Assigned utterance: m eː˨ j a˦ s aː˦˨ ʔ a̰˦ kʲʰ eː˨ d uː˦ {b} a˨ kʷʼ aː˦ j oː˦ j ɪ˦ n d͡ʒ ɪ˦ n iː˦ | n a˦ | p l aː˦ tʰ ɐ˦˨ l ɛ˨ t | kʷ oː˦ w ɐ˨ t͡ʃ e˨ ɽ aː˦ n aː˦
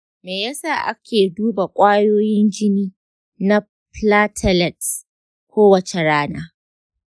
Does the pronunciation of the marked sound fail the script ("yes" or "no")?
no